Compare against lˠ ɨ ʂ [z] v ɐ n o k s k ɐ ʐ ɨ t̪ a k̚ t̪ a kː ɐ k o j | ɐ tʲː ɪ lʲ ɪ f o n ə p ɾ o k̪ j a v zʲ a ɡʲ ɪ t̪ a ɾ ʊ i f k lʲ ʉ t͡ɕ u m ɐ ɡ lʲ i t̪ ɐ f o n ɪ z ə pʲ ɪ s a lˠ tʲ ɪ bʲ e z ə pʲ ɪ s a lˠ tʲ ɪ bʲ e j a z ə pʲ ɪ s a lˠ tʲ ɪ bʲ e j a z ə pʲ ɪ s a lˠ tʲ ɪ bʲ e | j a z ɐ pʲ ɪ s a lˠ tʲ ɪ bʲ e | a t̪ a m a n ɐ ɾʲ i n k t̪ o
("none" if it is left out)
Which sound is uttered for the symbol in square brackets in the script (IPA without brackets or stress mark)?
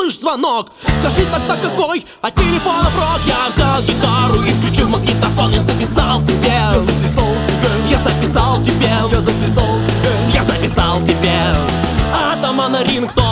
z